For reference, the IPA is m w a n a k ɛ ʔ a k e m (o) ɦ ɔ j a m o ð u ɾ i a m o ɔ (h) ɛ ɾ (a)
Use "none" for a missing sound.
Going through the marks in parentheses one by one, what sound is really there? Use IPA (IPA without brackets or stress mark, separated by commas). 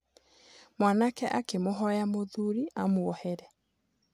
o, h, ɛ